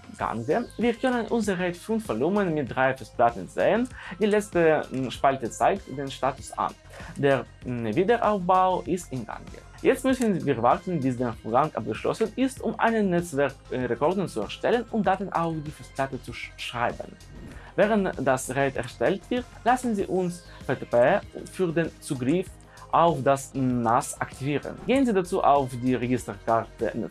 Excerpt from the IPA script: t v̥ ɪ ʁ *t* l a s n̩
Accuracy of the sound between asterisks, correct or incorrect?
correct